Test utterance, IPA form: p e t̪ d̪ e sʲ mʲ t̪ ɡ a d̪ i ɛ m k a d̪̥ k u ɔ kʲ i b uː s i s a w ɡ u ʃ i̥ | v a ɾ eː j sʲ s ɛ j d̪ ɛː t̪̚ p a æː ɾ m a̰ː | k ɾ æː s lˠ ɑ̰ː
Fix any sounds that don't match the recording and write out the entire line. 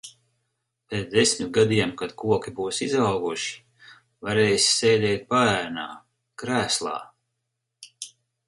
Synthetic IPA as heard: p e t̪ d̪ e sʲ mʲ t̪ ɡ a d̪ i ɛ m k a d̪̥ k u ɔ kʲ i b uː s i z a w ɡ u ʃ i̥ | v a ɾ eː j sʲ s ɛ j d̪ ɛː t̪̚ p a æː ɾ n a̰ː | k ɾ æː s lˠ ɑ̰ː